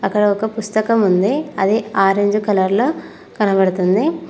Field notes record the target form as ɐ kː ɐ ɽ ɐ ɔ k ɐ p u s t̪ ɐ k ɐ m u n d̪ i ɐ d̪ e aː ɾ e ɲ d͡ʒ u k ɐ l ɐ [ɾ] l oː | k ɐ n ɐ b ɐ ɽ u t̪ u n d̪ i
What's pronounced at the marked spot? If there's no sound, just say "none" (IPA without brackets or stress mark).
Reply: ɾ